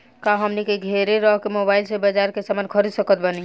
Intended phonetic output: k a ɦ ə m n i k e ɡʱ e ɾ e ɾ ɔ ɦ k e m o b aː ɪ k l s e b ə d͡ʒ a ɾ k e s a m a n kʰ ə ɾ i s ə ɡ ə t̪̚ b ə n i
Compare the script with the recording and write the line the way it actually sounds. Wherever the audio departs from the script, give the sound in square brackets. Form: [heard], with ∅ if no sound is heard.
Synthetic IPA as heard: k a ɦ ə m n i k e ɡʱ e ɾ e ɾ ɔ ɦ k e m o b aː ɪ [∅] l s e b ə d͡ʒ a ɾ k e s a m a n kʰ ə ɾ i s ə [k] ə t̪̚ b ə n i